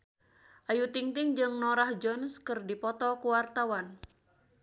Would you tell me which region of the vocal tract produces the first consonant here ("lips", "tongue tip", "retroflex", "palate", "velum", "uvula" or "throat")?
throat